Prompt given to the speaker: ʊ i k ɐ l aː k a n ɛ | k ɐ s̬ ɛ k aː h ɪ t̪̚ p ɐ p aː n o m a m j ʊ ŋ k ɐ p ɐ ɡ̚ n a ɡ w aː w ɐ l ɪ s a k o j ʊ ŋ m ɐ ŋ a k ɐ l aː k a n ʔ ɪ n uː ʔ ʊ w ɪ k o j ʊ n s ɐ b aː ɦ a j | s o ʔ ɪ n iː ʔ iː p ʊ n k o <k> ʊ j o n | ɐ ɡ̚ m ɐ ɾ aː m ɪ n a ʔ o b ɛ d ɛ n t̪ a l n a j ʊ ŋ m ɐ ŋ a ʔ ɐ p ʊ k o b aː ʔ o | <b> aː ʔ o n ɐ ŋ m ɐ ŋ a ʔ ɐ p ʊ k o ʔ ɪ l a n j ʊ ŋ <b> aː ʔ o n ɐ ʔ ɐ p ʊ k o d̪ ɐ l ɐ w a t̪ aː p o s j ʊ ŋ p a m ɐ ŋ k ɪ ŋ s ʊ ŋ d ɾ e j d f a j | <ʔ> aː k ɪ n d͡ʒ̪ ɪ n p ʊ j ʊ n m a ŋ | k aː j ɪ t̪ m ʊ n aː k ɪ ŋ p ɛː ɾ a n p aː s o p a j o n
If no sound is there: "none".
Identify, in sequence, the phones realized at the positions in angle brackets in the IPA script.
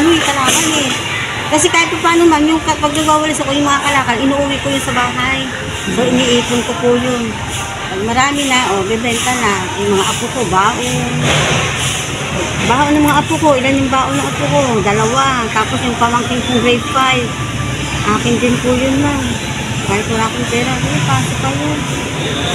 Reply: p, b, b, ʔ

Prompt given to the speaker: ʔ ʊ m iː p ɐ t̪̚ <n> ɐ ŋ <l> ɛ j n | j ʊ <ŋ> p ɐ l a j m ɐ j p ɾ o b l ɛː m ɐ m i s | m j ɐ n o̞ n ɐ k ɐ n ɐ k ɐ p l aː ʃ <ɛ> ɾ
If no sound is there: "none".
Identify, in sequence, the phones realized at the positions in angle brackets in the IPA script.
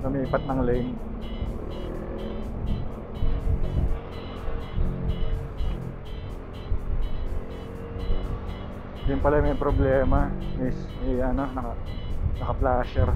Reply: n, l, n, ɛ

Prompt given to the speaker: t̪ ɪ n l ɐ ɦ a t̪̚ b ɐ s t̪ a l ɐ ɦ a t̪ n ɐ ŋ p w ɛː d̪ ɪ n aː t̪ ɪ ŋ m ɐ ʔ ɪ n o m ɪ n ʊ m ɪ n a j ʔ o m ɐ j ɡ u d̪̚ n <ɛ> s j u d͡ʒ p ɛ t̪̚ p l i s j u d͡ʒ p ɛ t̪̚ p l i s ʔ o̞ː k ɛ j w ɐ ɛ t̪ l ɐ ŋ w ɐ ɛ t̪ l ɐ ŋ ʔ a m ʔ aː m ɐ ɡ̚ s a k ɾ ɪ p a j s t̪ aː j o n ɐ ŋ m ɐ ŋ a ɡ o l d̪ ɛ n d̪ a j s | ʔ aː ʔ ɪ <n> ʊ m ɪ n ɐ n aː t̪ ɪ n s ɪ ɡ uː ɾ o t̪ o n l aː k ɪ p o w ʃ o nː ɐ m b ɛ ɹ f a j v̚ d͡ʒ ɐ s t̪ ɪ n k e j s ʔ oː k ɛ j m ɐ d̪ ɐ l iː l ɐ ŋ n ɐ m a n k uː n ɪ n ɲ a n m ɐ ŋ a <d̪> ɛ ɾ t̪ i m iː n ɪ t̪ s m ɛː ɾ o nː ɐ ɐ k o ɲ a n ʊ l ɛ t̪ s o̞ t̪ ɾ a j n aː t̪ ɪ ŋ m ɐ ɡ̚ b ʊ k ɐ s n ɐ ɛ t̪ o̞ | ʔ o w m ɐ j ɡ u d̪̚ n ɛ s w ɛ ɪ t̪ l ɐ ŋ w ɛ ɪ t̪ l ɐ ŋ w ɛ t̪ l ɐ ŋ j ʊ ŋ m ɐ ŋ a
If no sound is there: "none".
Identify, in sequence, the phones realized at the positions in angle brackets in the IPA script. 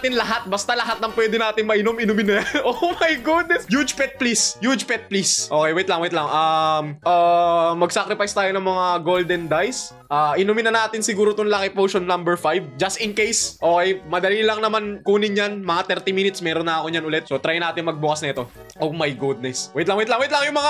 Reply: ɛ, n, t̪

